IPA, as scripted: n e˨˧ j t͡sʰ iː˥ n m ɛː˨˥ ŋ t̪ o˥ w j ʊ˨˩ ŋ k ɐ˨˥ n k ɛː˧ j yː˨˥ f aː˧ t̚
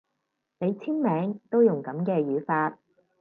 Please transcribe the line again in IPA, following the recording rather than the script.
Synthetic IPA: n e˨˧ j t͡sʰ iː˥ n m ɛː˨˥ ŋ t̪ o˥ w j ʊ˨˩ ŋ k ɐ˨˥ m k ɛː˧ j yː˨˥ f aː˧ t̚